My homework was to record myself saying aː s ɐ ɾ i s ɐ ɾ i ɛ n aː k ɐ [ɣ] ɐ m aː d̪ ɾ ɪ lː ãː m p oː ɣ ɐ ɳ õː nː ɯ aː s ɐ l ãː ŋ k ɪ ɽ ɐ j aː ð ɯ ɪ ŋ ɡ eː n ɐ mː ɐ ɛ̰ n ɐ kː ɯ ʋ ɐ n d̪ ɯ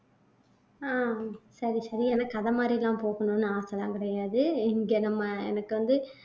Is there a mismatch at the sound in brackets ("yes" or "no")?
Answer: yes